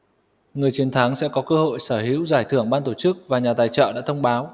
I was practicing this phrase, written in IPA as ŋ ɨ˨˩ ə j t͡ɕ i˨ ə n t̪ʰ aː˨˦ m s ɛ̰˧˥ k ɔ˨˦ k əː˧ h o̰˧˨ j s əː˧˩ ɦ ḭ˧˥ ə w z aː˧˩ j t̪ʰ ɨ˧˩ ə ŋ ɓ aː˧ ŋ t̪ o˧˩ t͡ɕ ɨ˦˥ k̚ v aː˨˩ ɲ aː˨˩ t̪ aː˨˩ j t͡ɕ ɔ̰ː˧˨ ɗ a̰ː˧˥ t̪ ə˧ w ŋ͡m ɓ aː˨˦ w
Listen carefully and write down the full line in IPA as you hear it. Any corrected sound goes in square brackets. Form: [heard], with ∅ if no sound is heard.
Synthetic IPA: ŋ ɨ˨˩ ə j t͡ɕ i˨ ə n t̪ʰ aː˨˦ [ŋ] s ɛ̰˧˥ k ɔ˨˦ k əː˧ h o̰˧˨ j s əː˧˩ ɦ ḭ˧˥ ə w z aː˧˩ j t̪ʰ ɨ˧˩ ə ŋ ɓ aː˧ [n] t̪ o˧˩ t͡ɕ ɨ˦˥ k̚ v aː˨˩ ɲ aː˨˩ t̪ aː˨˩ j t͡ɕ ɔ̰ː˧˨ ɗ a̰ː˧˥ [t̪ʰ] ə˧ w ŋ͡m ɓ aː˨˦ w